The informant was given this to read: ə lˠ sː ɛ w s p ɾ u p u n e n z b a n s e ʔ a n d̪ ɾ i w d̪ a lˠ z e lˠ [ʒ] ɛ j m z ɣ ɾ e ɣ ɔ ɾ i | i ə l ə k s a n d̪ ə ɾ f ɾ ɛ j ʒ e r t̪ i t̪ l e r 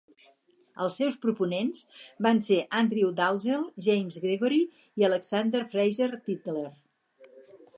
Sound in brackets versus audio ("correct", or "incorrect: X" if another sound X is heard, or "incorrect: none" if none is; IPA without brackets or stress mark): correct